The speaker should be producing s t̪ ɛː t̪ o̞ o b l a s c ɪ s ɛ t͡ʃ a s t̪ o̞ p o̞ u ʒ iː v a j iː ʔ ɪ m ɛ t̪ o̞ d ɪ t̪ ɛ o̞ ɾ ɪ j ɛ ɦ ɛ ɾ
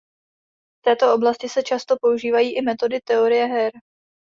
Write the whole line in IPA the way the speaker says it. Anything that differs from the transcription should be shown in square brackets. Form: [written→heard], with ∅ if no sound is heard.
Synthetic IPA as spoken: [s→f] t̪ ɛː t̪ o̞ o b l a s c ɪ s ɛ t͡ʃ a s t̪ o̞ p o̞ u ʒ iː v a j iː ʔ ɪ m ɛ t̪ o̞ d ɪ t̪ ɛ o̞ ɾ ɪ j ɛ ɦ ɛ ɾ